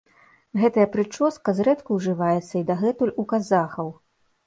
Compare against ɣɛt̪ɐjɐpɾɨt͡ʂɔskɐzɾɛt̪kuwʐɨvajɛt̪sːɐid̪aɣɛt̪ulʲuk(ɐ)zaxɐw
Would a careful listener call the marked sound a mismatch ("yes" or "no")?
yes